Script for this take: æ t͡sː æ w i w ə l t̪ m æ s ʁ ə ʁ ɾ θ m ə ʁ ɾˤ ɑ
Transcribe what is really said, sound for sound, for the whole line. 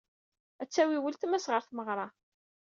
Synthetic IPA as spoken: æ t͡sː æ w i w ə l t̪ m æ s ʁ ə ɾ θ m ə ʁ ɾˤ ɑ